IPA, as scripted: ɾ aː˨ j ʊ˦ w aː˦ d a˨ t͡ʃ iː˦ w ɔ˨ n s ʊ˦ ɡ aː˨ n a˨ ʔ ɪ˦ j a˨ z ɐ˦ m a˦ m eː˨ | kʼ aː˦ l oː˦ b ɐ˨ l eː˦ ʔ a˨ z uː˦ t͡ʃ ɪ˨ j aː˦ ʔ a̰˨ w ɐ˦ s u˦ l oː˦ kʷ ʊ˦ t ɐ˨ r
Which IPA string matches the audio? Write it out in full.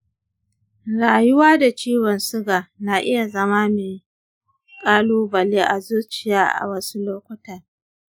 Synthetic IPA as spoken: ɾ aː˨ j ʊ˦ w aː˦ d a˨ t͡ʃ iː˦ w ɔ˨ n s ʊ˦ ɡ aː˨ n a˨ ʔ ɪ˦ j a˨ z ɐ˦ m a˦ m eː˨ | kʼ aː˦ l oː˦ b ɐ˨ l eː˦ ʔ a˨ z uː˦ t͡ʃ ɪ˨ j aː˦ ʔ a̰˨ w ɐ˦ s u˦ l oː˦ kʷ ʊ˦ t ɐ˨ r